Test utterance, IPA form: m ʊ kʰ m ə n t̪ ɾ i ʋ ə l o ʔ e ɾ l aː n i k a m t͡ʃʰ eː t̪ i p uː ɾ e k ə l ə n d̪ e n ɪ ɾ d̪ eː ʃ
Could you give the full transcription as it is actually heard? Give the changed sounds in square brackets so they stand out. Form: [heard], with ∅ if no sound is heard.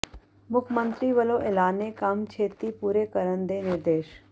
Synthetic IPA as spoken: m ʊ kʰ m ə n t̪ ɾ i ʋ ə l o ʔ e [∅] l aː n [e] k a m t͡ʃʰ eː t̪ i p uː ɾ e k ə [ɾ] ə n d̪ e n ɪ ɾ d̪ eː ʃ

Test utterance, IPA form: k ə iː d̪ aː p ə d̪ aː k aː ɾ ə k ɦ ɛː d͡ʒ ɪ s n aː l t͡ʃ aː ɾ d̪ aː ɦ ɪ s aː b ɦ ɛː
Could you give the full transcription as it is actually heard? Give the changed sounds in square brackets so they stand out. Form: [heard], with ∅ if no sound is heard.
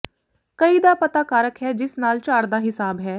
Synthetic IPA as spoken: k ə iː d̪ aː p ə [t̪] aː k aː ɾ ə k ɦ ɛː d͡ʒ ɪ s n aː l t͡ʃ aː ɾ d̪ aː ɦ ɪ s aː b ɦ ɛː

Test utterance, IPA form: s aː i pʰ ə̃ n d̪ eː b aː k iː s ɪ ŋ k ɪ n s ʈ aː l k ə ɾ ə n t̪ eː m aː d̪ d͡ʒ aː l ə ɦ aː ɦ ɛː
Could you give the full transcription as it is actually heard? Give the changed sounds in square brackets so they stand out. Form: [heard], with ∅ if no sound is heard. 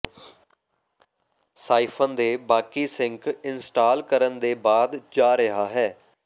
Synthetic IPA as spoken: s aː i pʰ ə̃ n d̪ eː b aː k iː s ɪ ŋ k ɪ n s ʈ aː l k ə ɾ ə n [d̪] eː [b] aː d̪ d͡ʒ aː [ɾ] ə ɦ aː ɦ ɛː

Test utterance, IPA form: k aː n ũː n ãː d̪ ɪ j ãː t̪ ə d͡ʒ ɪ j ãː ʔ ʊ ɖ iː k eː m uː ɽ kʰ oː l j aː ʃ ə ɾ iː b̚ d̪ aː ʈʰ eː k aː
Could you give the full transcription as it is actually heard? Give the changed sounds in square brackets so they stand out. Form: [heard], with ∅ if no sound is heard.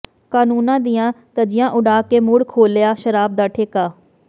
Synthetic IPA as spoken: k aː n [uː] n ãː d̪ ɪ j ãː t̪ ə d͡ʒ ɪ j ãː ʔ ʊ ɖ [aː] k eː m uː ɽ kʰ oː l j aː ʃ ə ɾ [aː] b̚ d̪ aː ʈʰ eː k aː

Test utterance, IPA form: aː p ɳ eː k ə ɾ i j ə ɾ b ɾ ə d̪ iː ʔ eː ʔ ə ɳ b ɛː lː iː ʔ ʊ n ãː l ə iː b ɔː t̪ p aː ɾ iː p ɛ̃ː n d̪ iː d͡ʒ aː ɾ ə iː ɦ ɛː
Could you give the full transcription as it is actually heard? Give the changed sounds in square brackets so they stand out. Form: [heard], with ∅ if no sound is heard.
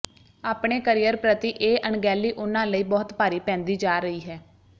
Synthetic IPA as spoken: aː p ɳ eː k ə ɾ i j ə ɾ [p] ɾ ə [t̪] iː ʔ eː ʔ ə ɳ [ɡ] ɛː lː iː ʔ ʊ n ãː l ə iː b ɔː t̪ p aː ɾ iː p ɛ̃ː n d̪ iː d͡ʒ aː ɾ ə iː ɦ ɛː

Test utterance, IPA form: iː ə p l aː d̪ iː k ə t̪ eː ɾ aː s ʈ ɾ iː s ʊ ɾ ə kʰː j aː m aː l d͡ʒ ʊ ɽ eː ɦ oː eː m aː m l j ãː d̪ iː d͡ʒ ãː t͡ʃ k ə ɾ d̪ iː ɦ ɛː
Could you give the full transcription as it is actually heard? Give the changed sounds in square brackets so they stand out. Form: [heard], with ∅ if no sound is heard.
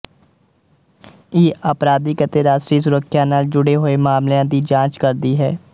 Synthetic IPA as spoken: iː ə p [ɾ] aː d̪ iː k ə t̪ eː ɾ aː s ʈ ɾ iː s ʊ ɾ ə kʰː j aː [n] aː l d͡ʒ ʊ ɽ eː ɦ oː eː m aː m l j ãː d̪ iː d͡ʒ ãː t͡ʃ k ə ɾ d̪ iː ɦ ɛː

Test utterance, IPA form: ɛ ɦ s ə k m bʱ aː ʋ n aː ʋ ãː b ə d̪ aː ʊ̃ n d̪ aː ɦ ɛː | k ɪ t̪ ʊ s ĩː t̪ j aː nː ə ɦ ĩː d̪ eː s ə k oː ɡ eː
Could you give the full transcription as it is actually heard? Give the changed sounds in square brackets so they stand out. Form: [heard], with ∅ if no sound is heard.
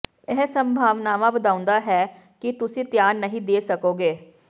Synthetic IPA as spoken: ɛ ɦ s ə [∅] m bʱ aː ʋ n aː ʋ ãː b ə d̪ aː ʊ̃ n d̪ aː ɦ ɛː | k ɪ t̪ ʊ s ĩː t̪ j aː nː ə ɦ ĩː d̪ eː s ə k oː ɡ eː

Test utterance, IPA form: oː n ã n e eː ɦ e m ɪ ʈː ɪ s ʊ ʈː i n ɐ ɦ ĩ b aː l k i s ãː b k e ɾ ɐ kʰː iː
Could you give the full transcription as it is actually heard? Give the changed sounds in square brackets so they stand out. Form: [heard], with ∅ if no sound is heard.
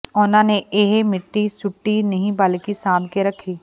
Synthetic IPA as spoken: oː n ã n e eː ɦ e m ɪ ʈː [i] s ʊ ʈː i n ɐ ɦ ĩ b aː l k i s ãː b k e ɾ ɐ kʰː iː

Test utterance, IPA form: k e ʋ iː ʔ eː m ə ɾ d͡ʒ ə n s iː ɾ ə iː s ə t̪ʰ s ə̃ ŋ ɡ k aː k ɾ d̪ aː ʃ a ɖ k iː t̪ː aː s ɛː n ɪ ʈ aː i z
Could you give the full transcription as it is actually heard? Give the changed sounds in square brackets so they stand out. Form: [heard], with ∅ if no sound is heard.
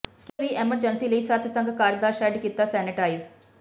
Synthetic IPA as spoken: k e ʋ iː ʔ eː m ə ɾ d͡ʒ ə n s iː [l] ə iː s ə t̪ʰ s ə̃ ŋ ɡ k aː [∅] ɾ d̪ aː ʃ [ɛ] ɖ k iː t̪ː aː s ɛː n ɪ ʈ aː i z

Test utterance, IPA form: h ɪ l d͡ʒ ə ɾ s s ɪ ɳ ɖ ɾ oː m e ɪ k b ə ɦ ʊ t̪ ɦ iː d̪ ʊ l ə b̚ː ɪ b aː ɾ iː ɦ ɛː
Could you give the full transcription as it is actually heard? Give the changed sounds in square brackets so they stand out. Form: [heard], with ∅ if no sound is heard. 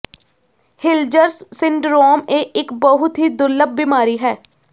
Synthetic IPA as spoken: h ɪ l d͡ʒ ə ɾ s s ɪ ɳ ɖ ɾ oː m e ɪ k b ə ɦ ʊ t̪ ɦ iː d̪ ʊ l ə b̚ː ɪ [m] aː ɾ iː ɦ ɛː

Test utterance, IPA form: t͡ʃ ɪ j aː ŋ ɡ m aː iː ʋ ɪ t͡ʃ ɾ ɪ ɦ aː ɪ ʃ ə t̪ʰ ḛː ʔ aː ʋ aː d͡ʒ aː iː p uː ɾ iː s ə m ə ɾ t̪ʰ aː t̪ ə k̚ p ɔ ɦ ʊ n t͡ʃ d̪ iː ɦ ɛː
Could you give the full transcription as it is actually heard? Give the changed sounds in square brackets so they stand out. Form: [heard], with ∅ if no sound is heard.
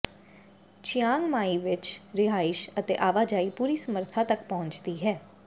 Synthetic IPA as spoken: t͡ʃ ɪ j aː ŋ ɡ m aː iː ʋ ɪ t͡ʃ ɾ ɪ ɦ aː ɪ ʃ ə [t̪] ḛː ʔ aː ʋ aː d͡ʒ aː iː p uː ɾ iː s ə m ə ɾ t̪ʰ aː t̪ ə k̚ p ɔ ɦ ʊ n t͡ʃ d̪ iː ɦ ɛː

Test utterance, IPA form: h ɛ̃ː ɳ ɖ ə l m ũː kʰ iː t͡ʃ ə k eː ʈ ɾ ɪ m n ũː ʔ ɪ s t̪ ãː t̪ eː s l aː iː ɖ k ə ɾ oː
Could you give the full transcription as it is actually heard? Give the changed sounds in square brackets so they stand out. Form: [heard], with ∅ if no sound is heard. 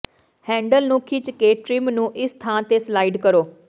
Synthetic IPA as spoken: h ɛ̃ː ɳ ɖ ə l [n] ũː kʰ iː t͡ʃ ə k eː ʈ ɾ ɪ m n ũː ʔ ɪ s [t̪ʰ] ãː t̪ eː s l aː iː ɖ k ə ɾ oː

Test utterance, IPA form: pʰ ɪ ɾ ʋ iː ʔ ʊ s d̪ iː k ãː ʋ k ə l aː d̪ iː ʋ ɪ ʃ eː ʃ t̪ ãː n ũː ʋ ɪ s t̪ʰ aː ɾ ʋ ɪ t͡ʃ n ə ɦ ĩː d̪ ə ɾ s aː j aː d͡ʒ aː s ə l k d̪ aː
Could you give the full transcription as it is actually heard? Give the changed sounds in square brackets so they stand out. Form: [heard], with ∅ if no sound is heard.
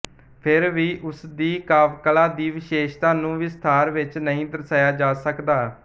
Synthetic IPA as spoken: pʰ ɪ ɾ ʋ iː ʔ ʊ s d̪ iː k [aː] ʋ k ə l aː d̪ iː ʋ ɪ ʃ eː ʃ t̪ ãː n ũː ʋ ɪ s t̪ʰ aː ɾ ʋ ɪ t͡ʃ n ə ɦ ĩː d̪ ə ɾ s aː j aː d͡ʒ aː s ə [∅] k d̪ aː

